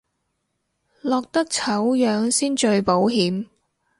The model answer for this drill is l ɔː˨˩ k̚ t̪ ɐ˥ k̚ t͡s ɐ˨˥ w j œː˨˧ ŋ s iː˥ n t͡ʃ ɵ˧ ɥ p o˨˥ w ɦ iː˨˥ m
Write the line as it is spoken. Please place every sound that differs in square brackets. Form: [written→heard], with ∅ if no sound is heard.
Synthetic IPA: l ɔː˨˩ k̚ t̪ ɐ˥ k̚ [t͡s→t͡sʰ] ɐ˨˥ w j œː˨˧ ŋ s iː˥ n t͡ʃ ɵ˧ ɥ p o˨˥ w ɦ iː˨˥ m

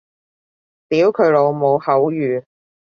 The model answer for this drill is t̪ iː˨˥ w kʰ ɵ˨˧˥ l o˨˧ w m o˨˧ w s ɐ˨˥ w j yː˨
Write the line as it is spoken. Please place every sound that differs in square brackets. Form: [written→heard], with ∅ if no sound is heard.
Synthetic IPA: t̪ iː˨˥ w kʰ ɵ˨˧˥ l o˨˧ w m o˨˧ w [s→h] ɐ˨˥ w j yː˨

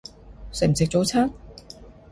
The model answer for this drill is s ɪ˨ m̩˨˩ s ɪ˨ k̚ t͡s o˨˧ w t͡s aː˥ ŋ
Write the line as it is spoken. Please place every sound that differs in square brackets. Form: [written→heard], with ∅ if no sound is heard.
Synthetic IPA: s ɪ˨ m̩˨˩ s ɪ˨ k̚ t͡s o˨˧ w [t͡s→t͡sʰ] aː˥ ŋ

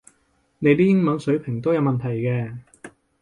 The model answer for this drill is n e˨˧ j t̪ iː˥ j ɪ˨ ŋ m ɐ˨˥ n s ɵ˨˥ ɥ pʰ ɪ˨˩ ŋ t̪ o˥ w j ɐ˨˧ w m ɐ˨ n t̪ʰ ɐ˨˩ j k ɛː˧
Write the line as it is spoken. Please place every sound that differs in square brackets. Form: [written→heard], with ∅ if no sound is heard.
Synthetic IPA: n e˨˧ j t̪ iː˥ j [ɪ˨→ɪ˥] ŋ m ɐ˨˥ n s ɵ˨˥ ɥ pʰ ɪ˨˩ ŋ t̪ o˥ w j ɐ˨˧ w m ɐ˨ n t̪ʰ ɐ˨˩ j k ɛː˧

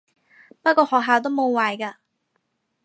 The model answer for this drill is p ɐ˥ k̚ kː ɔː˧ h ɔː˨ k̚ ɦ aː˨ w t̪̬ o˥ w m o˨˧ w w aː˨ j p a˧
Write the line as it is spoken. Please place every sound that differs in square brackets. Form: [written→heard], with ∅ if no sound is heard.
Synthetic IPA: p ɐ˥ [k̚→t̚] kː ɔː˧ h ɔː˨ k̚ ɦ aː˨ w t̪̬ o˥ w m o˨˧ w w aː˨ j [p→k] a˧

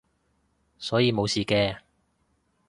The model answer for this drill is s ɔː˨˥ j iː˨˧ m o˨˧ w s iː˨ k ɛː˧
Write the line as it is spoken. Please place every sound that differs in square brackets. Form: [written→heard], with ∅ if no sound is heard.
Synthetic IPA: s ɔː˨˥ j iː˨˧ m o˨˧ w s iː˨ k ɛː˧

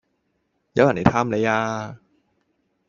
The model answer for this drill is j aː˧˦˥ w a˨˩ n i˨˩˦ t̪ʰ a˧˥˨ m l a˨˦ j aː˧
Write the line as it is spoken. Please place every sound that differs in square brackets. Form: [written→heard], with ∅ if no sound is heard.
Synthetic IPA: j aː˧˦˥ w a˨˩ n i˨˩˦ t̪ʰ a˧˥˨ m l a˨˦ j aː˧

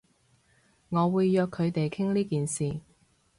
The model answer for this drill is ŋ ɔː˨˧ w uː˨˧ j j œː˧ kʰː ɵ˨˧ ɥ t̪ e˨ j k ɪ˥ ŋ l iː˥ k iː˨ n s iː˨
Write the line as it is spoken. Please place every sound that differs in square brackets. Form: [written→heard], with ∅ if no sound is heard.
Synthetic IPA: ŋ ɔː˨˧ w uː˨˧ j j œː˧ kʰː ɵ˨˧ ɥ t̪ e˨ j [k→kʰ] ɪ˥ ŋ l iː˥ k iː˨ n s iː˨

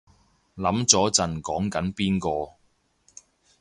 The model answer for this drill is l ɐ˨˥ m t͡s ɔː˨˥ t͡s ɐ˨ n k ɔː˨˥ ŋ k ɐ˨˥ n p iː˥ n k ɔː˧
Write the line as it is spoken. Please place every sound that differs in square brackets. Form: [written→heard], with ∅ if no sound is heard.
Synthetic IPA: l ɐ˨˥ m t͡s ɔː˨˥ t͡s ɐ˨ n k ɔː˨˥ ŋ k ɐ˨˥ n p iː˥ n k ɔː˧

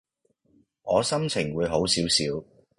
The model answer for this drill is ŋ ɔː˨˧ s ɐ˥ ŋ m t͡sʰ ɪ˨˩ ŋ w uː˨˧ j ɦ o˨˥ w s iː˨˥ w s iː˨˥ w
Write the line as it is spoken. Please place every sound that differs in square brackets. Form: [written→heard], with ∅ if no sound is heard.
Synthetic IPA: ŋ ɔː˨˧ s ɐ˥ [ŋ→∅] m t͡sʰ ɪ˨˩ ŋ w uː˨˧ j ɦ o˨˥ w s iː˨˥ w s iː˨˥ w

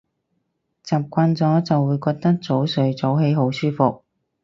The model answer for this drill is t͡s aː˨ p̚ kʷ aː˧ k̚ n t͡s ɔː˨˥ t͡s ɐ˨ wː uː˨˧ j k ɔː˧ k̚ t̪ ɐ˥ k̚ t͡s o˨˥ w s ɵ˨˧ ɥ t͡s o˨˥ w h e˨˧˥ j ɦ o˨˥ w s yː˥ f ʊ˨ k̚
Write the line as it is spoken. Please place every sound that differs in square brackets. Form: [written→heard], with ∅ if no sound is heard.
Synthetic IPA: t͡s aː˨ p̚ kʷ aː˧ [k̚→∅] n t͡s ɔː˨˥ t͡s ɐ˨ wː uː˨˧ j k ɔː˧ k̚ t̪ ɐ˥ k̚ t͡s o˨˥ w s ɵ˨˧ ɥ t͡s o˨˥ w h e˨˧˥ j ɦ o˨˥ w s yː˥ f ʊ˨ k̚

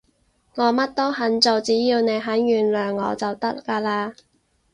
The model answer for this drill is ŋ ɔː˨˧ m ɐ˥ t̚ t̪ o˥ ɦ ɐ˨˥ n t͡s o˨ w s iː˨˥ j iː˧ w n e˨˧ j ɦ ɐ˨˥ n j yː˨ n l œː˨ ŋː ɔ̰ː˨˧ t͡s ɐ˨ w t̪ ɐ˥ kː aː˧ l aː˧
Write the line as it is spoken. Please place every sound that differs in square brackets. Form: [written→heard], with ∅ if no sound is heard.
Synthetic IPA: ŋ ɔː˨˧ m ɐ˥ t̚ t̪ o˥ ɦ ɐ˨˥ n t͡s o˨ w [s→t͡s] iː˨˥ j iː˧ w n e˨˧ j ɦ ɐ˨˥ n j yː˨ n l œː˨ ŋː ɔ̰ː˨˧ t͡s ɐ˨ w t̪ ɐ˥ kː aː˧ l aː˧

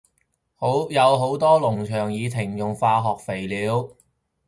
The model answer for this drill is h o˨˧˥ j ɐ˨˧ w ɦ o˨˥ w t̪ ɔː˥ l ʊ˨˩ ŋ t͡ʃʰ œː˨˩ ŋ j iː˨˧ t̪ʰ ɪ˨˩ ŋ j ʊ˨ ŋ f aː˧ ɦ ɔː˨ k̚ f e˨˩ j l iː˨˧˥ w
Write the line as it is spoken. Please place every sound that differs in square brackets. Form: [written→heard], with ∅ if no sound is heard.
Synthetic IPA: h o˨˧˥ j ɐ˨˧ w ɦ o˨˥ w t̪ ɔː˥ l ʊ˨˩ ŋ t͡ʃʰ œː˨˩ ŋ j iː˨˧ t̪ʰ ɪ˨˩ ŋ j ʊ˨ ŋ f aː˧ ɦ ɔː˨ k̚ f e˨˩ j l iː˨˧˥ w

